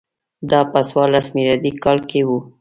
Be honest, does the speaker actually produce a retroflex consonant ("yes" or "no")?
no